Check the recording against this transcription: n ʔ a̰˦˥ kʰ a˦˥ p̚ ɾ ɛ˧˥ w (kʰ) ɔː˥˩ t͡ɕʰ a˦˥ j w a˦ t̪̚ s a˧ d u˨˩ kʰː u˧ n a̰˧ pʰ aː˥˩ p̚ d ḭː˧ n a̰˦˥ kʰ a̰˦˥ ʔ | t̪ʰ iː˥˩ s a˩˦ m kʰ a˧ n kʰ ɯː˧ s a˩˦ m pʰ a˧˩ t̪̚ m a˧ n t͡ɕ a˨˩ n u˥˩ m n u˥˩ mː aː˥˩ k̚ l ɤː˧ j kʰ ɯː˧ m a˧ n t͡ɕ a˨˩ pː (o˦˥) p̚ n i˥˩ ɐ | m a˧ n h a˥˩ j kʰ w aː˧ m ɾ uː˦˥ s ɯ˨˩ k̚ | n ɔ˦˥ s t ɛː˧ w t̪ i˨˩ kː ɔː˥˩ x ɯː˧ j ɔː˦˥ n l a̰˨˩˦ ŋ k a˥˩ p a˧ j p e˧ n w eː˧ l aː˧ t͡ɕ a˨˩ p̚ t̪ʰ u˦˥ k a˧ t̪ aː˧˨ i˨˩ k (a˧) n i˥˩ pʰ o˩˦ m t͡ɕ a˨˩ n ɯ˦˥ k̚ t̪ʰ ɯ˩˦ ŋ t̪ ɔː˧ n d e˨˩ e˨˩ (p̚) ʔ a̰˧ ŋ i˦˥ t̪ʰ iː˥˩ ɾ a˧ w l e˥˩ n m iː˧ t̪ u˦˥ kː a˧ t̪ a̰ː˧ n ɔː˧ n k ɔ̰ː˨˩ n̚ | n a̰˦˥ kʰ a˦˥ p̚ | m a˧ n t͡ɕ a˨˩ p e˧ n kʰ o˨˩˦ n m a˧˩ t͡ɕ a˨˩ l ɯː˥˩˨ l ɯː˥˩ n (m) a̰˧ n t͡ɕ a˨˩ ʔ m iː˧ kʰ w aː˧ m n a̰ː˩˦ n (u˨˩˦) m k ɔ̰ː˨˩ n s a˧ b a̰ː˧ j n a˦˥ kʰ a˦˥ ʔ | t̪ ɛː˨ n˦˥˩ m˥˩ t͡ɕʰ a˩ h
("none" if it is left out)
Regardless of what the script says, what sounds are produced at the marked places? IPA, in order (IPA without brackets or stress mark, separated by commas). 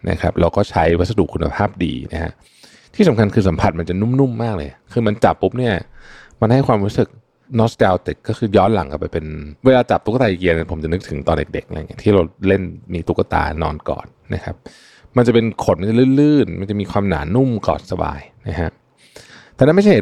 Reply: k, u˦˥, i˧, k̚, m, u˥˩